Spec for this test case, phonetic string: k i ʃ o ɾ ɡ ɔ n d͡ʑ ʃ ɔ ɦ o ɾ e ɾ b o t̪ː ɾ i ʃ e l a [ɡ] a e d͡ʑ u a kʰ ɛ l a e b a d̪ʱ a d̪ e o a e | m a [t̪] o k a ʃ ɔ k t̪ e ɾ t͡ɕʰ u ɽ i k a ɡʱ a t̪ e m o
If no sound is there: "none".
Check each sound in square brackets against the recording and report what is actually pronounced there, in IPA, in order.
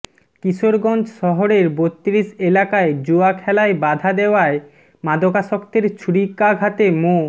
k, d̪

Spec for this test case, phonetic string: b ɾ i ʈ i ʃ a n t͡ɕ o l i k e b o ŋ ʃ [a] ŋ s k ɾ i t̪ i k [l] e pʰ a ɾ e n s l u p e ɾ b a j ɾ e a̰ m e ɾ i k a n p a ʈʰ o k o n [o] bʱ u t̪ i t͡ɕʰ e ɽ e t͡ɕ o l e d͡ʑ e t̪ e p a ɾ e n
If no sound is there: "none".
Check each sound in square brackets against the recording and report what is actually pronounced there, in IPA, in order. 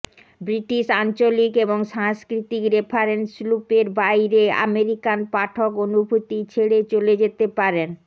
a, ɾ, u

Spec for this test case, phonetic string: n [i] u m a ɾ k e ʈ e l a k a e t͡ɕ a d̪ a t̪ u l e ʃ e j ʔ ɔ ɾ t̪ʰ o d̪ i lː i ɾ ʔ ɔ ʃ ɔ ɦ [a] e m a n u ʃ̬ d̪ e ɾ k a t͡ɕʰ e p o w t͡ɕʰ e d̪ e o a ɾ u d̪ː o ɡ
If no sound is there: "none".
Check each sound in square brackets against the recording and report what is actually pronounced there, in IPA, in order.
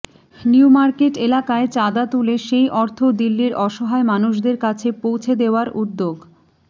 i, a

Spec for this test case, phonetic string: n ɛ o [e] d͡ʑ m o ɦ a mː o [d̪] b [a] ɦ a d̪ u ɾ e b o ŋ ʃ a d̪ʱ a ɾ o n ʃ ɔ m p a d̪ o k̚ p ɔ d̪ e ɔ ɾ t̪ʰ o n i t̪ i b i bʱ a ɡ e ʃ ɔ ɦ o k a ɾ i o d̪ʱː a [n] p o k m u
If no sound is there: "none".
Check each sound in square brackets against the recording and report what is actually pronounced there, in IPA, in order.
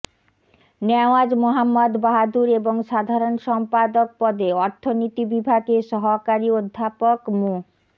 a, d̪, a, none

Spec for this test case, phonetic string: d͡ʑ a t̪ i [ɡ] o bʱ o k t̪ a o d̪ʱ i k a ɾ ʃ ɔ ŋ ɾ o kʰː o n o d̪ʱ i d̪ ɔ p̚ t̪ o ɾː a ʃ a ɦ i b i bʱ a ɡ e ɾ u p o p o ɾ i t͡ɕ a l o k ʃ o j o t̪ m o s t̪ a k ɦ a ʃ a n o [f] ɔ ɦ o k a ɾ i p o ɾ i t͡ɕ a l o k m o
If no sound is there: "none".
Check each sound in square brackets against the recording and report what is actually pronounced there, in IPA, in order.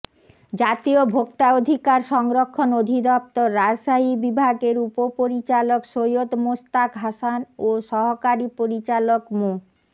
none, ʃ

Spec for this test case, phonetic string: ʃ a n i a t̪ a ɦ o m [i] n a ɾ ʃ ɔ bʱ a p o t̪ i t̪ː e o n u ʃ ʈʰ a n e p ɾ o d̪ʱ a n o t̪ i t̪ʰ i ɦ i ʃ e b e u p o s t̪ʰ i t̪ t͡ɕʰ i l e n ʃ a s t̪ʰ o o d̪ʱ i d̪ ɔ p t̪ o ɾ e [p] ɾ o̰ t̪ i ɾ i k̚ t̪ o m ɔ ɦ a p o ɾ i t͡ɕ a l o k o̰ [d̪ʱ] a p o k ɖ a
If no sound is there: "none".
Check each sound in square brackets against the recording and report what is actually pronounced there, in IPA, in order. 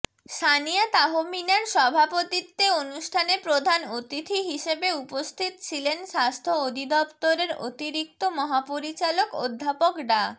i, none, d̪ʱː

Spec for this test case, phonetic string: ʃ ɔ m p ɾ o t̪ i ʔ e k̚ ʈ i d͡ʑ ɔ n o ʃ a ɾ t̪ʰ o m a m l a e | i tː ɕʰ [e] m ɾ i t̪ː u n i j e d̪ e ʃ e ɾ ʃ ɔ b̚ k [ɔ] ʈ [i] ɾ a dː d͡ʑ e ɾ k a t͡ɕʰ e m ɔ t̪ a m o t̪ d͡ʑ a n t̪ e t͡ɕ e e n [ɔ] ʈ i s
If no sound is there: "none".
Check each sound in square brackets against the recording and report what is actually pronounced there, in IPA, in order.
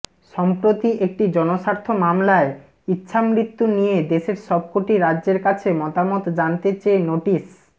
a, o, i, o

